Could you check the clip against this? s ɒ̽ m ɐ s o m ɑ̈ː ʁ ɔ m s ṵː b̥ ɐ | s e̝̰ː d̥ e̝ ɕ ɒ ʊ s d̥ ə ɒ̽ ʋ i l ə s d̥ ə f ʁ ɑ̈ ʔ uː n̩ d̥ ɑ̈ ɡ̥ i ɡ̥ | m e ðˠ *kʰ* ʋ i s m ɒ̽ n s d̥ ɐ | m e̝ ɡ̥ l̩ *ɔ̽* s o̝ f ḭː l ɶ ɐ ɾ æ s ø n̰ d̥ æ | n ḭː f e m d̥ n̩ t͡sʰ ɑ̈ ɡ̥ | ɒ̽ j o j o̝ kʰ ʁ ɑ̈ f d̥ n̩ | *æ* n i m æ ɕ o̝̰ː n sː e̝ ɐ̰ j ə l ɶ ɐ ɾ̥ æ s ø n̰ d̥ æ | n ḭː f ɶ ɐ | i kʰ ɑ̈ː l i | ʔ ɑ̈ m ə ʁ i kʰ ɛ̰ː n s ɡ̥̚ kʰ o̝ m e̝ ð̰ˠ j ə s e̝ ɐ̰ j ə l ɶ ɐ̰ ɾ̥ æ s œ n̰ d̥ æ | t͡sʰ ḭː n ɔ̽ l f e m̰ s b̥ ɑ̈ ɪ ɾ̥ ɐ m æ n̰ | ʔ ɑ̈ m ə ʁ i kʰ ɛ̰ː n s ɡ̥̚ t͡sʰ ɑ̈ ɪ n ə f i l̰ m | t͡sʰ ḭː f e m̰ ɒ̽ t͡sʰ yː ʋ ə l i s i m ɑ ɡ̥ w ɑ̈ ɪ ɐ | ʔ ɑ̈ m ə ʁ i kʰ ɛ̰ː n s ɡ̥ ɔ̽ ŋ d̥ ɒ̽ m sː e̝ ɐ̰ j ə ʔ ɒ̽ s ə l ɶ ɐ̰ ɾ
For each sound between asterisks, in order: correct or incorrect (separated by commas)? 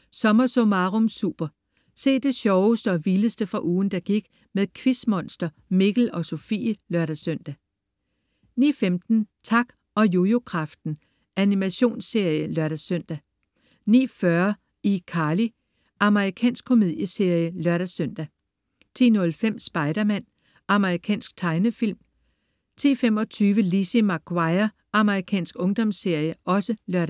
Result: correct, incorrect, correct